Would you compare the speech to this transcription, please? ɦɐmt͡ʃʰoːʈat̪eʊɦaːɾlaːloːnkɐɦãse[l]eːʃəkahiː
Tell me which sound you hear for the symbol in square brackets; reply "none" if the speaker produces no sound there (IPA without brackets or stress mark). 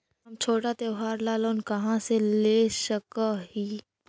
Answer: l